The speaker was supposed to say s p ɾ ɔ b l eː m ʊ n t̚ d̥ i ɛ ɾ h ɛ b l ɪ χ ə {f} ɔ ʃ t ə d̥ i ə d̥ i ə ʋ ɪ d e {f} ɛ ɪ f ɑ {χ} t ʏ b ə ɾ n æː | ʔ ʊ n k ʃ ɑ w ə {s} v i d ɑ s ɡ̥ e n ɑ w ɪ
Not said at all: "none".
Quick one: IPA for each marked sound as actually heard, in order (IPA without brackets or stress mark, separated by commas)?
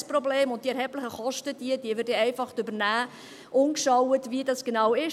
χ, none, χ, t